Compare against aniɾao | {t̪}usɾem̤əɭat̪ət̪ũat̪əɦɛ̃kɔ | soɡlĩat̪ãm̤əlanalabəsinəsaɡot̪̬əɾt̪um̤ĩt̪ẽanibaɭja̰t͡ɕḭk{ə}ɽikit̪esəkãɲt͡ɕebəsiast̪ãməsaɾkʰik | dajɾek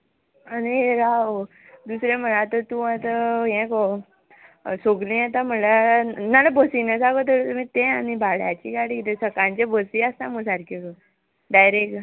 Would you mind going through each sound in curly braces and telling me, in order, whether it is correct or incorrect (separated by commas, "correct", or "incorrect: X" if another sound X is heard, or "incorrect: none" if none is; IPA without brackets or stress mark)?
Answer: incorrect: d̪, incorrect: a